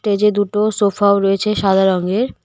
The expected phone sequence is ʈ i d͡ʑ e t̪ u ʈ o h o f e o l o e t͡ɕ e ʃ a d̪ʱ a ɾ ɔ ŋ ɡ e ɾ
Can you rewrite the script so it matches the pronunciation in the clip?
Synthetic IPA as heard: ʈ e d͡ʑ e d̪ u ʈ o s o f a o ɾ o e t͡ɕʰ e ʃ a d̪ʱ a ɾ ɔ ŋ ɡ e ɾ